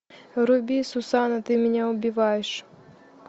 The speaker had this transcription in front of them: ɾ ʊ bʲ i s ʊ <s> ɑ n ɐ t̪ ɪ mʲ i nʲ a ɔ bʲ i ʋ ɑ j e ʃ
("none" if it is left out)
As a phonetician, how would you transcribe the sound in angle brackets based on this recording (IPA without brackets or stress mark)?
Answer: s